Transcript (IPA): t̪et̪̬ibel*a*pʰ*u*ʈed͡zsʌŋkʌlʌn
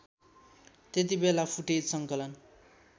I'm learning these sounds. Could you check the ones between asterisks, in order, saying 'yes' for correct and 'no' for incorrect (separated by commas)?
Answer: yes, yes